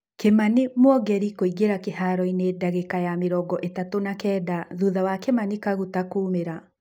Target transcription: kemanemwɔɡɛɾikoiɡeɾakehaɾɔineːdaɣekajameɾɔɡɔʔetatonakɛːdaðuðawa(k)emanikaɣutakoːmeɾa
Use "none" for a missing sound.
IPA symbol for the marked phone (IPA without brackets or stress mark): k